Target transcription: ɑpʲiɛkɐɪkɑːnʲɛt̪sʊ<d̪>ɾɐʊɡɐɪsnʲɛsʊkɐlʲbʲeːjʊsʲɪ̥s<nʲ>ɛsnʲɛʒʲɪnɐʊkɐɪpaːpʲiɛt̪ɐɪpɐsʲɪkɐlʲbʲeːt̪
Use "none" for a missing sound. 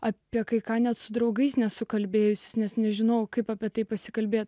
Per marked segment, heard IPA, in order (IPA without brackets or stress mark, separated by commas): d̪, nʲ